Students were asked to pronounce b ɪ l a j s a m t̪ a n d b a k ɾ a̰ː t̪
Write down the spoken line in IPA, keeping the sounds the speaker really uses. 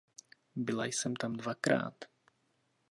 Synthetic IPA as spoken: b ɪ l a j s ɛ m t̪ a m d v a k ɾ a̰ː t̪